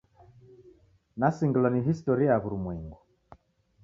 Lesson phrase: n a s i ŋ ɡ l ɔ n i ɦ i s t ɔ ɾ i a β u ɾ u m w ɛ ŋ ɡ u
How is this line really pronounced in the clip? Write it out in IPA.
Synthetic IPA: n a s i ŋ ɡ l ɔ n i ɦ i s t ɔ ɾ i a β u ɾ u m w ɛ ŋ ɡ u